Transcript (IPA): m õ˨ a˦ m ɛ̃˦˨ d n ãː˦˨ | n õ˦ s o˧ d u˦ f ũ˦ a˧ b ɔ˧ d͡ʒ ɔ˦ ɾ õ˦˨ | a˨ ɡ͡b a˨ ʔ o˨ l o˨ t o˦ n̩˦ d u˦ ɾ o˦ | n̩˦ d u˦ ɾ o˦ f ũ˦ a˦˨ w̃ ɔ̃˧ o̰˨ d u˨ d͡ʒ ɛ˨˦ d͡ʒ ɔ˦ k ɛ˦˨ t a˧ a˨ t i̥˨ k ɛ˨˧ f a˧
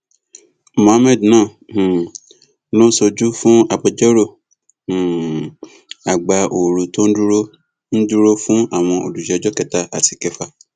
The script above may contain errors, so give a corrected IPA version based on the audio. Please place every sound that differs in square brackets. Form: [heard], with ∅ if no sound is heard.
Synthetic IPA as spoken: m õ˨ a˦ m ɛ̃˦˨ d n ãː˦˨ | n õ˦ s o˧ [d͡ʒ] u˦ f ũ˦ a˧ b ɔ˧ d͡ʒ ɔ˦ ɾ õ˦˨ | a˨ ɡ͡b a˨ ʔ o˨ [ɾ] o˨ t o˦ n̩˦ d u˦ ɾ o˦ | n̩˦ d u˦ ɾ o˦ f ũ˦ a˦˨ w̃ ɔ̃˧ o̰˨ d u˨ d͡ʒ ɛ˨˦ d͡ʒ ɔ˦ k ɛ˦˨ t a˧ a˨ t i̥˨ k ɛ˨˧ f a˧